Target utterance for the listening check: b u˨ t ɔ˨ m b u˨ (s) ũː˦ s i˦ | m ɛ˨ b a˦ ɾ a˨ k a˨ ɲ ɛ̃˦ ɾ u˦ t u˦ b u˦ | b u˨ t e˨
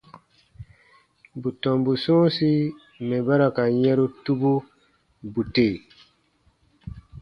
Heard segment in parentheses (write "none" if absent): s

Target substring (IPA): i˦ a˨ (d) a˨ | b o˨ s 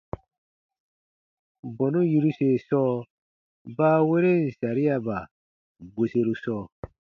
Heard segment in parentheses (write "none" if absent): b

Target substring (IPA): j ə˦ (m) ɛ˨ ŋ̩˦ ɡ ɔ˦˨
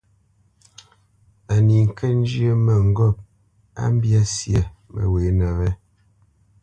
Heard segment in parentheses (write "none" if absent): m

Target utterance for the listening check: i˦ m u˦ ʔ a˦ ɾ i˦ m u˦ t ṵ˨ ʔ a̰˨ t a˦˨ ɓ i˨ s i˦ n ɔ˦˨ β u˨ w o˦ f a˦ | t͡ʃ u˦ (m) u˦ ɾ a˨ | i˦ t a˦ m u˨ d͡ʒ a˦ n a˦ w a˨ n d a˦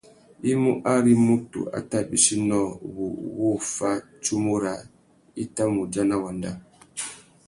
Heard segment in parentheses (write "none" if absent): m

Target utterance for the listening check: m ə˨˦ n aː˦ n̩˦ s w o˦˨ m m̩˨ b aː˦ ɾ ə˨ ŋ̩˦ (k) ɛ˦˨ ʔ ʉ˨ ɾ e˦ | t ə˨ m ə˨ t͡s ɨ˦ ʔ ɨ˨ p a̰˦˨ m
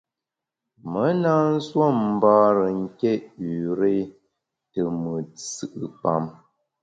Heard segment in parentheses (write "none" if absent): k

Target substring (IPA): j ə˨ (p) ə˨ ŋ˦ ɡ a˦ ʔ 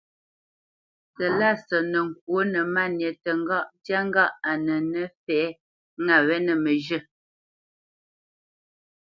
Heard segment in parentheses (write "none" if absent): t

